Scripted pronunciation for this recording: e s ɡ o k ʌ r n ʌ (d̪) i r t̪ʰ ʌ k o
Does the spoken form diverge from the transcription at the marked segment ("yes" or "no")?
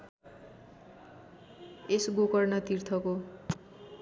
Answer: yes